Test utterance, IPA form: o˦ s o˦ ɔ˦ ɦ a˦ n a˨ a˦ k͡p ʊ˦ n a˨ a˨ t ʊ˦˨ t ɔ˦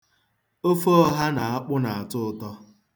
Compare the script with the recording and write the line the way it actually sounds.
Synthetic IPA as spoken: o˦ f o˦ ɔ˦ ɦ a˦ n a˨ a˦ k͡p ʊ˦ n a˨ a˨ t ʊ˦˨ t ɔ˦